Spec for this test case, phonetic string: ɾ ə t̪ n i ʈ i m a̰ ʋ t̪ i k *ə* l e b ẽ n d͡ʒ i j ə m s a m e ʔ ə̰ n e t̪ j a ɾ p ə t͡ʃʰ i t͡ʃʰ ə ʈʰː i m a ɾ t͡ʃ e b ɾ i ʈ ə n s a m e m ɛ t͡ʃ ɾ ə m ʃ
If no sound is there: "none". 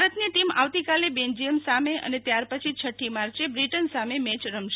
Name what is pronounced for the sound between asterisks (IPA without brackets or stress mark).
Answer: a